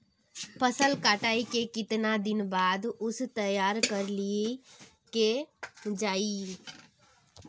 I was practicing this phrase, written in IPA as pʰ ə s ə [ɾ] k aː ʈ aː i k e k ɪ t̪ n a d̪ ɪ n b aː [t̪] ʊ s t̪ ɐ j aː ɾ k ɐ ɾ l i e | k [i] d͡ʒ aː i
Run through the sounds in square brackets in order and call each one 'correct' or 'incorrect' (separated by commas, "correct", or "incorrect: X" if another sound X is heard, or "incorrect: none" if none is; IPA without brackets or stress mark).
incorrect: l, incorrect: d̪, incorrect: e